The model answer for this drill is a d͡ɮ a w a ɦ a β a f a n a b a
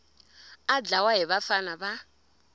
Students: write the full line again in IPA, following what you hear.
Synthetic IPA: a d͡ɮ a w a ɦ i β a f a n a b a